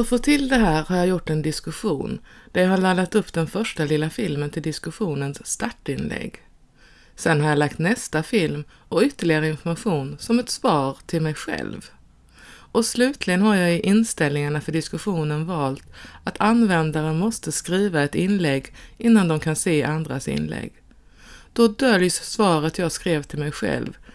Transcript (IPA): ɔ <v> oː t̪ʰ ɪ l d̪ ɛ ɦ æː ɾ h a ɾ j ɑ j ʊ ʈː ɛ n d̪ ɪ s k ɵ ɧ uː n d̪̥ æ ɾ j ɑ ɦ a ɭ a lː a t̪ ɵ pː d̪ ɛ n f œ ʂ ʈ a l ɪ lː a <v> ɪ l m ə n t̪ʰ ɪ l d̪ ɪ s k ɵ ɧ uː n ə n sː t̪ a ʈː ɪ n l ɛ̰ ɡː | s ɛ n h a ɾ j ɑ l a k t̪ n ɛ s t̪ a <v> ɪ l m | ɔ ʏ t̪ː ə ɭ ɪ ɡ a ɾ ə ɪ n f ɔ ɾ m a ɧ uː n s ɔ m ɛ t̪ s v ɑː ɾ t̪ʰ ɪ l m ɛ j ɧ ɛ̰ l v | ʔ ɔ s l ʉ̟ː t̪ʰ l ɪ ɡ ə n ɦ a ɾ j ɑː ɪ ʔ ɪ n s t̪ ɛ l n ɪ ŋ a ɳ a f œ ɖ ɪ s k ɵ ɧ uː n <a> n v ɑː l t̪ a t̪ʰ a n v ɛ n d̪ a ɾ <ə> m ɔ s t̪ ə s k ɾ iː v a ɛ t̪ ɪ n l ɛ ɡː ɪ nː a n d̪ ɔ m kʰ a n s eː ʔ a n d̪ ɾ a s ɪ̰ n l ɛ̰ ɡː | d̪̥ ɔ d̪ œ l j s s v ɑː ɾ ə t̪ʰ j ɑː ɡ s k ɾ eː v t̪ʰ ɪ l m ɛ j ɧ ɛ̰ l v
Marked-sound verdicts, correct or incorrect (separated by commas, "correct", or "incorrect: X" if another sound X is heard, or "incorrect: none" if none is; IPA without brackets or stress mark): incorrect: f, incorrect: f, incorrect: f, incorrect: ə, correct